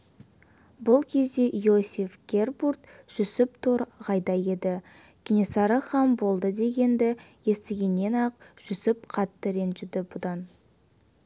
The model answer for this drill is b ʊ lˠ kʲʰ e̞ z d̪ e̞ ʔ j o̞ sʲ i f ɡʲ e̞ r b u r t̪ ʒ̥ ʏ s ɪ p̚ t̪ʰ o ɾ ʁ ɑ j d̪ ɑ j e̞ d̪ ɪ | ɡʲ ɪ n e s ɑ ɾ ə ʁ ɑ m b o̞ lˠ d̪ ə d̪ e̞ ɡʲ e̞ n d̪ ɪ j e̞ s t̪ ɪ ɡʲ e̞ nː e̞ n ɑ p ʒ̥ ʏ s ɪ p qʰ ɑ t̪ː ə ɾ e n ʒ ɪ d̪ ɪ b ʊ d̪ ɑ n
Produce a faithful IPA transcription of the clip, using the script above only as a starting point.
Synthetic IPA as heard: b ʊ lˠ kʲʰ e̞ z d̪ e̞ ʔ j o̞ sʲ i f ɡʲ e̞ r b u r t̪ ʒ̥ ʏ s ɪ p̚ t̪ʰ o ɾ ʁ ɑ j d̪ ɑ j e̞ d̪ ɪ | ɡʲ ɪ n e s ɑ ɾ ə χ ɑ m b o̞ lˠ d̪ ə d̪ e̞ ɡʲ e̞ n d̪ ɪ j e̞ s t̪ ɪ ɡʲ e̞ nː e̞ n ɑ q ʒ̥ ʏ s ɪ p qʰ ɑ t̪ː ə ɾ e n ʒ ɪ d̪ ɪ b ʊ d̪ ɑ n